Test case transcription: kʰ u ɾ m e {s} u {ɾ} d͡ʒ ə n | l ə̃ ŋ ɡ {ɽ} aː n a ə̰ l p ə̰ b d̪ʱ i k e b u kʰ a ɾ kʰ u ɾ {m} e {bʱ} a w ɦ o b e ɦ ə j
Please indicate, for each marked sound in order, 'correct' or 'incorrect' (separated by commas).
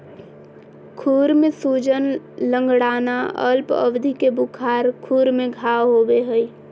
correct, incorrect, correct, correct, incorrect